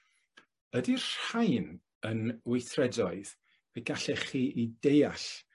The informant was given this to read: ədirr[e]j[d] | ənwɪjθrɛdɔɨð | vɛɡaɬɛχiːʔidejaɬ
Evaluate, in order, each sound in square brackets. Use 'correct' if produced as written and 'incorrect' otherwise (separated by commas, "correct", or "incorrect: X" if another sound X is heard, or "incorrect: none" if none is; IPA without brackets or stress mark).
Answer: incorrect: a, incorrect: n